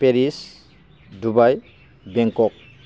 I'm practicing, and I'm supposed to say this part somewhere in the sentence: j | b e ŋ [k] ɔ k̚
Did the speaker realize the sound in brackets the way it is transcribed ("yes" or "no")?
yes